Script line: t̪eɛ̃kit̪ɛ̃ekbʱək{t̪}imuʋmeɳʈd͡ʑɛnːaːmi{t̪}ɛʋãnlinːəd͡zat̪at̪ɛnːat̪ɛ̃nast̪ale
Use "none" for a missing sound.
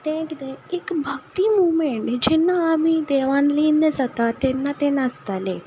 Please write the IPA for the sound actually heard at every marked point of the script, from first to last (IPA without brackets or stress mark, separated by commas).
t̪, d̪